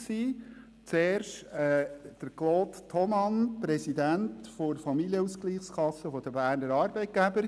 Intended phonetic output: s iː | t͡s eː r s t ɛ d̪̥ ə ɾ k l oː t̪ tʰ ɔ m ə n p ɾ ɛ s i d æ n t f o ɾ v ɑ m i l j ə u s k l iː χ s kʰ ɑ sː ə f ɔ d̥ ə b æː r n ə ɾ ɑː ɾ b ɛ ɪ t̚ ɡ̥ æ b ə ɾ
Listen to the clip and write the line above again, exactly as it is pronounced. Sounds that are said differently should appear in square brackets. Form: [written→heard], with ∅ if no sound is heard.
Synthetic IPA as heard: s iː | t͡s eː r [s→ʃ] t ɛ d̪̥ ə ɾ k l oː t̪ tʰ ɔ m [ə→ɑ] n p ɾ ɛ s i d æ n t f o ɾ [v→f] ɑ m i l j ə u s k l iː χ s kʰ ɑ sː ə f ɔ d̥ ə b æː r n ə ɾ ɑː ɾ b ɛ ɪ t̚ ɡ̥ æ b ə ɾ

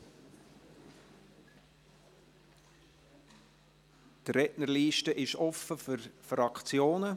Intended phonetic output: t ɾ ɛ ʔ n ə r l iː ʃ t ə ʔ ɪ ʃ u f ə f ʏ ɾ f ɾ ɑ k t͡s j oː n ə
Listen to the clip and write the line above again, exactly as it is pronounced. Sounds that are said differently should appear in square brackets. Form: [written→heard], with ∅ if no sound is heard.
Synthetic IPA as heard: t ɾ ɛ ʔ n ə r l iː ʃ t ə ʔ ɪ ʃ [u→ɔ] f ə f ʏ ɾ f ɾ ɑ k t͡s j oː n ə

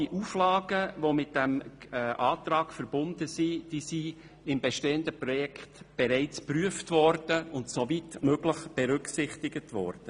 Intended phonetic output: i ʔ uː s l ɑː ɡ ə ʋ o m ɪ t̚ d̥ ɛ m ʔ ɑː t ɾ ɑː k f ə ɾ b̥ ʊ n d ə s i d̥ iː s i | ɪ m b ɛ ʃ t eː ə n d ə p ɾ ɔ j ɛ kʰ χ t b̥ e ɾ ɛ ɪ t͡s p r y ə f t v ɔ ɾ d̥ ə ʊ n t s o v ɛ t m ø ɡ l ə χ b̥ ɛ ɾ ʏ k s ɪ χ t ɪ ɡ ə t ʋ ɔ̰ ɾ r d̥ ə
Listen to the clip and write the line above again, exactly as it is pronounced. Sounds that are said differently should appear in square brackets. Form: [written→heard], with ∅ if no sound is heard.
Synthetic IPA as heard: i ʔ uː [s→f] l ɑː ɡ ə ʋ o m ɪ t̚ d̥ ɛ m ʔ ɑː t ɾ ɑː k f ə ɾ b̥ ʊ n d ə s i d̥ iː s i | ɪ m b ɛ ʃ t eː ə n d ə p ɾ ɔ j ɛ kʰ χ t b̥ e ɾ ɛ ɪ t͡s p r y ə f t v ɔ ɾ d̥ ə ʊ n t s o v [ɛ→i] t m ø ɡ l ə χ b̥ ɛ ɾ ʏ k s ɪ χ t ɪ ɡ ə t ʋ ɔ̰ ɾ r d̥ ə

